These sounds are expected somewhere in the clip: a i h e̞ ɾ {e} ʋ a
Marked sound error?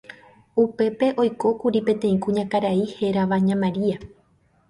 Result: yes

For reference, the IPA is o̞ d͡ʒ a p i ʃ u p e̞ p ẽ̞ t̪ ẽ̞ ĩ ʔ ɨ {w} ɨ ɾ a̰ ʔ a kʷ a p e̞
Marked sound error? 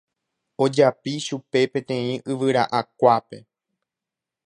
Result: yes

